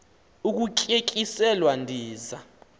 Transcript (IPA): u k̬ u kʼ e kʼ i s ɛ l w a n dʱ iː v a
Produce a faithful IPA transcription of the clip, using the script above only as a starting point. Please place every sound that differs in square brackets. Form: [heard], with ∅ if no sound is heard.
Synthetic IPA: u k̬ u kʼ e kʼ i s ɛ l w a n dʱ iː [z] a